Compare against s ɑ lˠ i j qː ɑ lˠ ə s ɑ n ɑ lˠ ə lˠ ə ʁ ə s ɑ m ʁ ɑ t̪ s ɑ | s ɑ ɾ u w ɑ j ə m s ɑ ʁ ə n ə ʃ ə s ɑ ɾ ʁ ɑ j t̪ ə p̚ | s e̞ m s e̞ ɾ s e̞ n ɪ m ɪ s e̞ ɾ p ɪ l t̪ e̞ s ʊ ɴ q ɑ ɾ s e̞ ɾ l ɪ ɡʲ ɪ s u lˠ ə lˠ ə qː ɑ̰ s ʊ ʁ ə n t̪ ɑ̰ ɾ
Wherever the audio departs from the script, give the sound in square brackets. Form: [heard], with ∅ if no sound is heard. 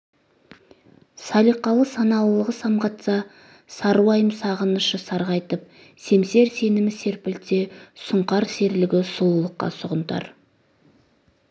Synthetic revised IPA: s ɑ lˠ i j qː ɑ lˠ ə s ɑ n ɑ lˠ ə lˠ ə ʁ ə s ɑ m ʁ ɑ t̪ s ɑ | s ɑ ɾ u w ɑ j ə m s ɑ ʁ ə n ə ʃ ə s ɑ ɾ ʁ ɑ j t̪ ə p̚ | s e̞ m s e̞ ɾ s e̞ n ɪ m ɪ s e̞ ɾ p ɪ l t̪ e̞ s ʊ ɴ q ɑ ɾ s e̞ ɾ l ɪ ɡʲ ɪ s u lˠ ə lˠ ə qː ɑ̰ s ʊ ʁ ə n t̪ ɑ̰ ɾ